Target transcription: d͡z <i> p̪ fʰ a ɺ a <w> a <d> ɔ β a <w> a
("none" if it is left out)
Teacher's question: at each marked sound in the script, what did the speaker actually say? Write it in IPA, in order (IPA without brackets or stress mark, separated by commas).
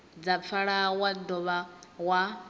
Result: a, w, d, w